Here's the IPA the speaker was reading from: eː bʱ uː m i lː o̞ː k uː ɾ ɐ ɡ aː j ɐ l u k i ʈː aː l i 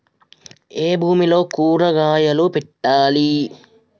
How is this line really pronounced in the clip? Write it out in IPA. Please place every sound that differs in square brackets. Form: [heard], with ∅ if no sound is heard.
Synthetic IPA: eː bʱ uː m i [l] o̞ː k uː ɾ ɐ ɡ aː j ɐ l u [p] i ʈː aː l i